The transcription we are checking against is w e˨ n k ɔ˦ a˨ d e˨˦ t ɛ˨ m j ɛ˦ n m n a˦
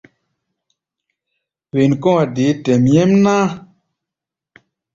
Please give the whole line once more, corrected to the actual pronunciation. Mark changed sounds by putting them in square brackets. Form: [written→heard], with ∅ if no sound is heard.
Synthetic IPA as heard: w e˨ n k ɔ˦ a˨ d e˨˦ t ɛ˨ m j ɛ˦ [n→∅] m n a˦